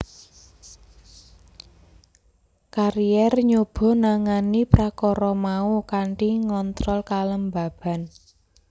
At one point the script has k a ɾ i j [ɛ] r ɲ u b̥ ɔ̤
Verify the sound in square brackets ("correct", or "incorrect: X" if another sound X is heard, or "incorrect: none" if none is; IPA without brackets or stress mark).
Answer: correct